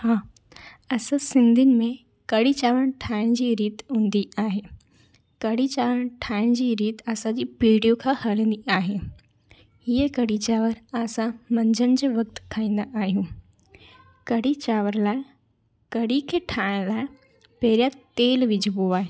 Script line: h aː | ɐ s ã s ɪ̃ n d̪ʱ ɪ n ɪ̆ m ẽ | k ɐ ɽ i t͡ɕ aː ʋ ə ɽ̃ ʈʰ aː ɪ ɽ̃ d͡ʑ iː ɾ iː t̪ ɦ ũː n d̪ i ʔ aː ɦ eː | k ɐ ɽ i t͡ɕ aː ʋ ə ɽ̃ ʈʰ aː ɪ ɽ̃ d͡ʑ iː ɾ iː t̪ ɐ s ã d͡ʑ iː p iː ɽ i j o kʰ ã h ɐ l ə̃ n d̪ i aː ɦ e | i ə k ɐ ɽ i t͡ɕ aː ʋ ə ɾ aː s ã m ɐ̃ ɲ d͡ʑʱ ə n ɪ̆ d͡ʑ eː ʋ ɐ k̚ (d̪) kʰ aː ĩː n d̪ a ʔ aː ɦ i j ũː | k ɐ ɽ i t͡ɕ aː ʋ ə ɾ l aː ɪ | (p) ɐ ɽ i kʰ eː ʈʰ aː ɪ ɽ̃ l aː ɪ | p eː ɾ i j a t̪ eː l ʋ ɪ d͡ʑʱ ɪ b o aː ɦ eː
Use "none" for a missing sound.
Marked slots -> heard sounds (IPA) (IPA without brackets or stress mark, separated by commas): t̪, k